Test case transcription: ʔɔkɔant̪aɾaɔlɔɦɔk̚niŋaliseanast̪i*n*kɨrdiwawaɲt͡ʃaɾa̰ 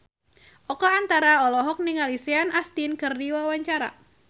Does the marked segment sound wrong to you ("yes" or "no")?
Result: no